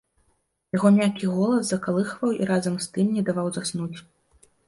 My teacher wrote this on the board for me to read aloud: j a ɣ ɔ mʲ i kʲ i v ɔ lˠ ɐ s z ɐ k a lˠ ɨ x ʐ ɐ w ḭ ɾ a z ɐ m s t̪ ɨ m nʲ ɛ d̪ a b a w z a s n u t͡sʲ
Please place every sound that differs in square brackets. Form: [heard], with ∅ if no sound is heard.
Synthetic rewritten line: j a ɣ ɔ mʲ [a] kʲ i [ɣ] ɔ lˠ ɐ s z ɐ k a lˠ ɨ x [v] ɐ w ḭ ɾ a z ɐ m s t̪ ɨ m nʲ ɛ d̪ a [v] a w z a s n u t͡sʲ